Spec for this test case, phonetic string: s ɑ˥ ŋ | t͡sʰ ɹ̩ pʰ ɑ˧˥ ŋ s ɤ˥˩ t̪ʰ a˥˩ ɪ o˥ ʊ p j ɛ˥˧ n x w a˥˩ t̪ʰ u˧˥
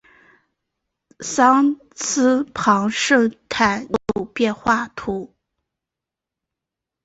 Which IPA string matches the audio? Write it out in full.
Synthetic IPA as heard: s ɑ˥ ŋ | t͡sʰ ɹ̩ pʰ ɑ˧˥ ŋ ʂ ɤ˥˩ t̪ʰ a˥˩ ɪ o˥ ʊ p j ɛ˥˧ n x w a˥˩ t̪ʰ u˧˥